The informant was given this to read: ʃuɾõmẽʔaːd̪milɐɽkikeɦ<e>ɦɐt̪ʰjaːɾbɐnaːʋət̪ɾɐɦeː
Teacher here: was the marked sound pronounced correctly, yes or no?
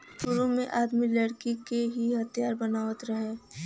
no